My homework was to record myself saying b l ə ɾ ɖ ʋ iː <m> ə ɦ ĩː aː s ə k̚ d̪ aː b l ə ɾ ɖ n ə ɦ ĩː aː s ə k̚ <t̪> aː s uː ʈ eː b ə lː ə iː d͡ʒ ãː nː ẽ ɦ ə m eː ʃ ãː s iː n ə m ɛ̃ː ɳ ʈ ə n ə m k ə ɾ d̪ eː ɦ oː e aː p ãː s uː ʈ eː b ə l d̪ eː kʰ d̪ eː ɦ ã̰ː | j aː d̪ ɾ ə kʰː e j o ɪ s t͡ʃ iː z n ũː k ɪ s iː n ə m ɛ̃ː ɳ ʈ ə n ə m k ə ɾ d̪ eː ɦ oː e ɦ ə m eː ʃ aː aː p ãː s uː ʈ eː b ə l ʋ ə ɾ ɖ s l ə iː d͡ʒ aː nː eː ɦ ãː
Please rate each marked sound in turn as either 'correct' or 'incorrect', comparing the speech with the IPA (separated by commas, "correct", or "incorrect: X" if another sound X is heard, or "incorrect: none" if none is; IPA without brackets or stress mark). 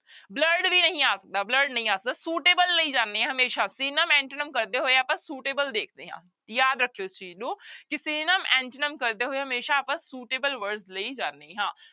incorrect: n, incorrect: d̪